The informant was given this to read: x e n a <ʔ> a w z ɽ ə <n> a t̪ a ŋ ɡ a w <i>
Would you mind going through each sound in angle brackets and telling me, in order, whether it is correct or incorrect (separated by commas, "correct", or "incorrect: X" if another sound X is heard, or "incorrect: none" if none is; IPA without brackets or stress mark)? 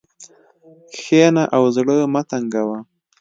correct, incorrect: m, incorrect: a